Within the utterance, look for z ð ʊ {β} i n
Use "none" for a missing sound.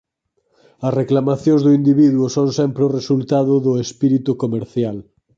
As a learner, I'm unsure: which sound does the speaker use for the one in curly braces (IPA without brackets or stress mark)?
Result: none